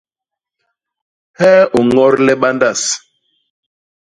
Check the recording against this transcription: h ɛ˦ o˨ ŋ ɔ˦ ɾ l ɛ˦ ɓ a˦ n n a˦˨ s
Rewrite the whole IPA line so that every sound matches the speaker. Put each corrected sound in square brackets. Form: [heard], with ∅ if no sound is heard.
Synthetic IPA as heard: h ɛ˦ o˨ ŋ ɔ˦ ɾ l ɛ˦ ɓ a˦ n [d] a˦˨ s